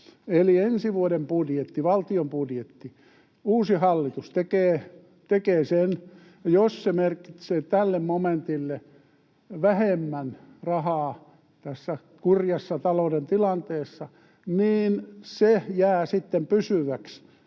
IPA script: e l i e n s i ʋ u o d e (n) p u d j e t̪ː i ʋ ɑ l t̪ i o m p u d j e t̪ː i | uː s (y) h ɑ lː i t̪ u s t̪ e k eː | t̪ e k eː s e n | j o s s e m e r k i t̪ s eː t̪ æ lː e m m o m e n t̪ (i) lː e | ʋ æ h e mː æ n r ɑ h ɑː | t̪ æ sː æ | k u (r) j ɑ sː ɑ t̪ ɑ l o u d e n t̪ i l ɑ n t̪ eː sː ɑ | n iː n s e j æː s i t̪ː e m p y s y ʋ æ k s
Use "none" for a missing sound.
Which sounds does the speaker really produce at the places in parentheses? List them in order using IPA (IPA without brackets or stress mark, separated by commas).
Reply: m, i, i, r